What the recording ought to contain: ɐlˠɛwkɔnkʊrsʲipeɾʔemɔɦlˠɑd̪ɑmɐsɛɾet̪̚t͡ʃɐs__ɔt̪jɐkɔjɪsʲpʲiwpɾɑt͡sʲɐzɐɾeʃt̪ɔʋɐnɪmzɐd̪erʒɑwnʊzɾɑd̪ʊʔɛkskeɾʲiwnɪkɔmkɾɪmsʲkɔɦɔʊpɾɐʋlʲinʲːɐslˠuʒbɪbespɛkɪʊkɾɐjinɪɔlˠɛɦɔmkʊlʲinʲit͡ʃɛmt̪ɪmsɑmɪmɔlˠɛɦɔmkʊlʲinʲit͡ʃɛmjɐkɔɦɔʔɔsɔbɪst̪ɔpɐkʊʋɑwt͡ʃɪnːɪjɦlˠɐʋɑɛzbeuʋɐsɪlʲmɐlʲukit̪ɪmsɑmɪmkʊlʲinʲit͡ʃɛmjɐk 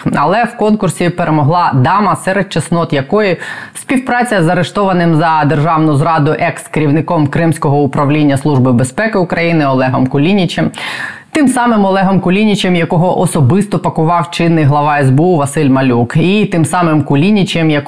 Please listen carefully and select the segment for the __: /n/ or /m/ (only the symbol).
n